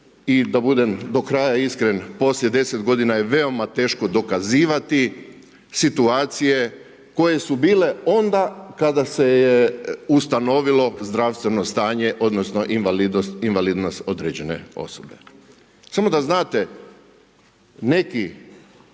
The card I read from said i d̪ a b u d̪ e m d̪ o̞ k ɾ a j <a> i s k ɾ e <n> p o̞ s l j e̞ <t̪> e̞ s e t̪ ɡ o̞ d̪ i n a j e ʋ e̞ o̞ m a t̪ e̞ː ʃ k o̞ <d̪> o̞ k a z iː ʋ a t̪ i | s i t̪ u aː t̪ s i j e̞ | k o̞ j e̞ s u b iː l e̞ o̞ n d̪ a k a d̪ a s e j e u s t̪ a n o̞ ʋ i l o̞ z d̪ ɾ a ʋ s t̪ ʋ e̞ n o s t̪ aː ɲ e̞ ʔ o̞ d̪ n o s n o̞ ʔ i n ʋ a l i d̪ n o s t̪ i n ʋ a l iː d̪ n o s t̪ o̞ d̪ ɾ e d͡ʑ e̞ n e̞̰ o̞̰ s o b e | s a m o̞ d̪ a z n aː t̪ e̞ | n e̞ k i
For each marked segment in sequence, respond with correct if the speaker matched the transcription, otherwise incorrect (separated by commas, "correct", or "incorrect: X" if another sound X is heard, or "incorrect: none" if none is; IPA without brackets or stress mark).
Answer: correct, correct, incorrect: d̪, correct